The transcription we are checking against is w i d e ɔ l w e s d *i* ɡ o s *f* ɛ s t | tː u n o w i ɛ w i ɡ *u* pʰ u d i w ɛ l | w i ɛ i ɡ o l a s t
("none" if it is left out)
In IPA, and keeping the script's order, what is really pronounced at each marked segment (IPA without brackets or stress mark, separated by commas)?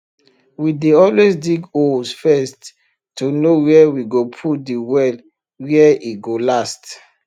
i, f, o